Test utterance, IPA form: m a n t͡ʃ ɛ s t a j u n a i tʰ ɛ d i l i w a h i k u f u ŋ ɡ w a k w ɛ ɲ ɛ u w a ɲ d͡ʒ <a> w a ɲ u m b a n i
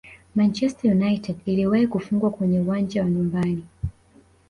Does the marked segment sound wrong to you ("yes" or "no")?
no